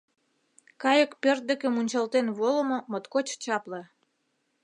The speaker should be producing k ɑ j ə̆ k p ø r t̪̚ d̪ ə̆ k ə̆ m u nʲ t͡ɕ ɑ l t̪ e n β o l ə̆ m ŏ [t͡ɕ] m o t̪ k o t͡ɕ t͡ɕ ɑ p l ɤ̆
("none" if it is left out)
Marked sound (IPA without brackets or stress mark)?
none